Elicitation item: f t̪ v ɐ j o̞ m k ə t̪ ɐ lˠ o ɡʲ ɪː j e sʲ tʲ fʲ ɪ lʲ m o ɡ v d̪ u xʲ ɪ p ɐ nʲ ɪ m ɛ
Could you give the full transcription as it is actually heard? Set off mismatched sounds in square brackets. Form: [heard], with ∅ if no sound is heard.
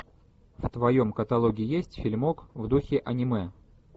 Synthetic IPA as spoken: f t̪ v ɐ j o̞ m k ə t̪ ɐ lˠ o ɡʲ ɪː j e sʲ tʲ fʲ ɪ lʲ m o [k] v d̪ u xʲ ɪ [ʔ] ɐ nʲ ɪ m ɛ